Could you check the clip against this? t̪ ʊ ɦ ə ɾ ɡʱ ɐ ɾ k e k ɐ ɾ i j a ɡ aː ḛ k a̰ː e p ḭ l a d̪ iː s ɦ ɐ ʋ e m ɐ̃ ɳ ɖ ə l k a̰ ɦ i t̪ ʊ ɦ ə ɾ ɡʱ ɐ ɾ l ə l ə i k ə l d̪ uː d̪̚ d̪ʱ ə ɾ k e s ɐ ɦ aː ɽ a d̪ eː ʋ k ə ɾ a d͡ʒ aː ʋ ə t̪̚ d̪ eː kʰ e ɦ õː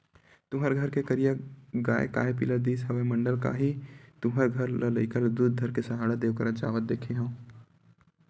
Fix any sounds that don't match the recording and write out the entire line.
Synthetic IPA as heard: t̪ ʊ ɦ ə ɾ ɡʱ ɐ ɾ k e k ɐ ɾ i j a ɡ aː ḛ k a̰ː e p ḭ l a d̪ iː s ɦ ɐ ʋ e m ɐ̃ ɳ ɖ ə l k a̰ ɦ i t̪ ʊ ɦ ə ɾ ɡʱ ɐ ɾ l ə l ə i k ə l d̪ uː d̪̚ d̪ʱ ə ɾ k e s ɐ ɦ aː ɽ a d̪ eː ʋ k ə ɾ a d͡ʒ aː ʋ ə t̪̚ d̪ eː kʰ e ɦ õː